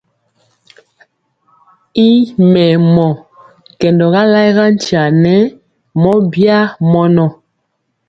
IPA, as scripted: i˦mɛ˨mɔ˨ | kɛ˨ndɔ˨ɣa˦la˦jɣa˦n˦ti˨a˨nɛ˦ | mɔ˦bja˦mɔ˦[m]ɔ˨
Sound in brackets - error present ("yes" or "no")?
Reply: yes